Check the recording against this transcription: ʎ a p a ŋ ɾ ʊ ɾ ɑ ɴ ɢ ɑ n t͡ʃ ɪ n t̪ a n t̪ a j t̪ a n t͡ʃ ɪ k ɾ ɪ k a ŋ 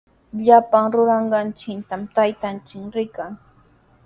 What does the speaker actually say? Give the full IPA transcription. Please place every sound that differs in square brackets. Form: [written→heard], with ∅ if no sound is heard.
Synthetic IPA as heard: ʎ a p a ŋ ɾ ʊ ɾ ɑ ɴ ɢ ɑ n t͡ʃ ɪ n t̪ a [n→m] t̪ a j t̪ a n t͡ʃ ɪ k ɾ ɪ k a ŋ